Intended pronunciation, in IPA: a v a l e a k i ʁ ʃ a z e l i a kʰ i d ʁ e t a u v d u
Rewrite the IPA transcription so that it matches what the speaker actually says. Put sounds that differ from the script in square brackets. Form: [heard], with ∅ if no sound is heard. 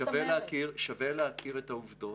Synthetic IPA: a v [e] l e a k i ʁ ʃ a [v] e l [e] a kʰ i [∅] ʁ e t a u v d [o]